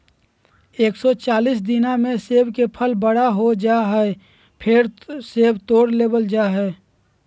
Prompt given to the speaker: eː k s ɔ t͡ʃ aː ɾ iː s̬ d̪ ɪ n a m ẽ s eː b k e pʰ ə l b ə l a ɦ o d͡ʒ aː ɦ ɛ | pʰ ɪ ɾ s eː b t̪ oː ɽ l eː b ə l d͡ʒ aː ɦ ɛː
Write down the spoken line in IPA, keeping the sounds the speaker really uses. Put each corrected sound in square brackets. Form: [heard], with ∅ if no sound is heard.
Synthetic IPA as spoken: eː k s ɔ t͡ʃ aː [l] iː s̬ d̪ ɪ n a m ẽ s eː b k e pʰ ə l b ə [ɽ] a ɦ o d͡ʒ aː ɦ ɛ | pʰ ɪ ɾ s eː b t̪ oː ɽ l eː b ə l d͡ʒ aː ɦ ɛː